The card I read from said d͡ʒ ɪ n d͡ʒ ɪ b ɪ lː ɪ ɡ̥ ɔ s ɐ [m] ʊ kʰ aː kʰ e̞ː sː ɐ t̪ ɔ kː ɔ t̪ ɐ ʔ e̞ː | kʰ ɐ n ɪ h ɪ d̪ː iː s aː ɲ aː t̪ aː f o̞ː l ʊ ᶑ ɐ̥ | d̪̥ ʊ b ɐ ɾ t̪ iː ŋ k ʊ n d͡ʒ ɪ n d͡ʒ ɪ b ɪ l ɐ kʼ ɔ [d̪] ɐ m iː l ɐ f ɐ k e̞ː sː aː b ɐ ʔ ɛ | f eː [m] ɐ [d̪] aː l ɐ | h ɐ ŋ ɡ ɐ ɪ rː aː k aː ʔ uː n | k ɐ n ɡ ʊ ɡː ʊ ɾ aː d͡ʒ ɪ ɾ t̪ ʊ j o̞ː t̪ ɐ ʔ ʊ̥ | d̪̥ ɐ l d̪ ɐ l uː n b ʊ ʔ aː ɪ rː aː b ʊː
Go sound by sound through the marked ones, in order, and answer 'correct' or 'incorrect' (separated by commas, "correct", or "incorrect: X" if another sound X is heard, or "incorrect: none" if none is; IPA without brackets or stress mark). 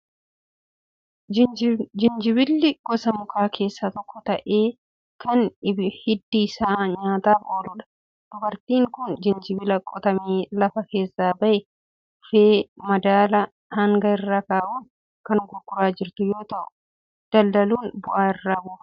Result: correct, incorrect: t̪, correct, correct